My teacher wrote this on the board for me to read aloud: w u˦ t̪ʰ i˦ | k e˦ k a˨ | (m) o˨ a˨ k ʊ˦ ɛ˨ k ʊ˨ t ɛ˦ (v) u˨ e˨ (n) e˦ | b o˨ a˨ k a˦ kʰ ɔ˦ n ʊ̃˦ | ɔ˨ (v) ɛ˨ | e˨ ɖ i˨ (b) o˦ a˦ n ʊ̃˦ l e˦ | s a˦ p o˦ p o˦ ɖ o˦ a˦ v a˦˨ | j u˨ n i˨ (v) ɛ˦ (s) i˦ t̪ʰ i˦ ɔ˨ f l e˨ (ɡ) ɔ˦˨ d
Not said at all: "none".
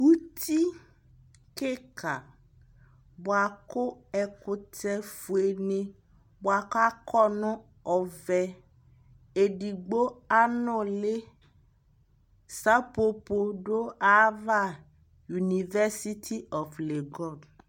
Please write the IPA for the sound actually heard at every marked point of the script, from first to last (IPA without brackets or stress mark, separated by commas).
b, f, n, v, ɡ͡b, v, s, ɡ